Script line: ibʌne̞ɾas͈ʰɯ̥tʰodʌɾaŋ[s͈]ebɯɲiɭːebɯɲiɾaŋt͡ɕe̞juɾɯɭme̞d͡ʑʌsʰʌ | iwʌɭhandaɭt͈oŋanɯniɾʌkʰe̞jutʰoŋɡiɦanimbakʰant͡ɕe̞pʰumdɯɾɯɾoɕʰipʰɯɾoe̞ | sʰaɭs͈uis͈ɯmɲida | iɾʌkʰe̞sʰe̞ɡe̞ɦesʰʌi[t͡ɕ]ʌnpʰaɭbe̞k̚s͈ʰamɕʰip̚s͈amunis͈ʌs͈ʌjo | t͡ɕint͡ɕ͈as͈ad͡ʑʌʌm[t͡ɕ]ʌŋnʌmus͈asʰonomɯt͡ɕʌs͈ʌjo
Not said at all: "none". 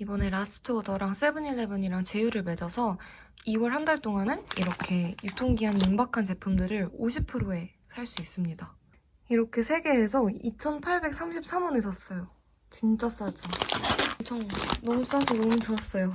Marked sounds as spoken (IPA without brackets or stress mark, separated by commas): s͈, t͡ɕʰ, t͡ɕʰ